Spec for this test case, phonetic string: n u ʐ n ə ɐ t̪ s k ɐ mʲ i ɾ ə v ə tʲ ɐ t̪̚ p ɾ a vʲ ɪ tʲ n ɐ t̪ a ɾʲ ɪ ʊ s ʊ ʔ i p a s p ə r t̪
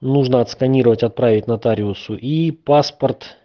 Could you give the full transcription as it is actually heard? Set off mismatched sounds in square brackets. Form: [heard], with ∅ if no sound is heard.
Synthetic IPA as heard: n u ʐ n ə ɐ t̪ s k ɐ [nʲ] i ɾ ə v ə tʲ ɐ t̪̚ p ɾ a vʲ ɪ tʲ n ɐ t̪ a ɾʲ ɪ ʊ s ʊ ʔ i p a s p ə r t̪